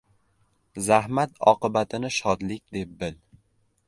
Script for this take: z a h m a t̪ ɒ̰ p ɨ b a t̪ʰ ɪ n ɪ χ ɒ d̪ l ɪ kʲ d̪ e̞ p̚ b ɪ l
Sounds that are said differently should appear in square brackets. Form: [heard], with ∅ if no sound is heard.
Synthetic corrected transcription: z a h m a t̪ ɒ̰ [q] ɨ b a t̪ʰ ɪ n ɪ [ʃ] ɒ d̪ l ɪ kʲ d̪ e̞ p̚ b ɪ l